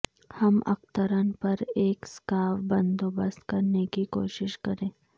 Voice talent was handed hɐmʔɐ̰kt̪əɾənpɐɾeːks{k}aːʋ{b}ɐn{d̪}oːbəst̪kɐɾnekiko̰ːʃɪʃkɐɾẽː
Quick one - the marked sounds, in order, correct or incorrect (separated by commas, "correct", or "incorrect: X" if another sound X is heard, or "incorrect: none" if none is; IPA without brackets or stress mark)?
correct, correct, correct